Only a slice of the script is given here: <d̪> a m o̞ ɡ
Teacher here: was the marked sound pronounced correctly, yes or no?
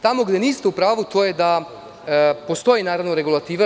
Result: no